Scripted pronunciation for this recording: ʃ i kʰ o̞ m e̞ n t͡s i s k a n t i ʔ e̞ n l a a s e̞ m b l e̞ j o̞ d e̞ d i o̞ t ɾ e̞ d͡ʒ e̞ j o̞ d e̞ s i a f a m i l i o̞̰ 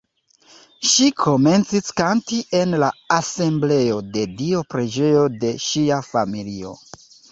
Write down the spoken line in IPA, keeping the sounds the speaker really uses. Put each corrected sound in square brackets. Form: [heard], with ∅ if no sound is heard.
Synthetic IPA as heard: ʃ i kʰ o̞ m e̞ n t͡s i s k a n t i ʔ e̞ n l a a s e̞ m b l e̞ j o̞ d e̞ d i o̞ [p] ɾ e̞ d͡ʒ e̞ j o̞ d e̞ [ʃ] i a f a m i l i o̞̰